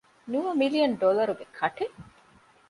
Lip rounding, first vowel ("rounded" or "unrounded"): rounded